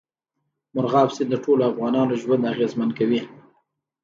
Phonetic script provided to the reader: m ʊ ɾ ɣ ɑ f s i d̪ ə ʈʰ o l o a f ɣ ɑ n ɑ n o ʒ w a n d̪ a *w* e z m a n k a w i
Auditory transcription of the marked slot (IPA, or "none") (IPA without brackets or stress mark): ɣ